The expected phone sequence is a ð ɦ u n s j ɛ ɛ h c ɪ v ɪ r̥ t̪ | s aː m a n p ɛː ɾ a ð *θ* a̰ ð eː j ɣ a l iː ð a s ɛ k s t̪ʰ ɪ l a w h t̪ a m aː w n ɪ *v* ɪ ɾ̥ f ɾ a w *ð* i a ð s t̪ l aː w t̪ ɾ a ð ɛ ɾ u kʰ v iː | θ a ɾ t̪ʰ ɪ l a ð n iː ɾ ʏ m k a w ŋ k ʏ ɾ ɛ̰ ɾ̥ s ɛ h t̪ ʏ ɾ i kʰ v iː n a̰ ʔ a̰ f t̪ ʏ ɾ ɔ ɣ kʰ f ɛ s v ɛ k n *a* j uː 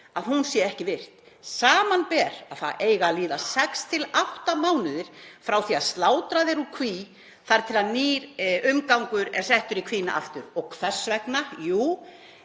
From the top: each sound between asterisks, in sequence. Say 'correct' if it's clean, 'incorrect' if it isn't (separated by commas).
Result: correct, incorrect, incorrect, correct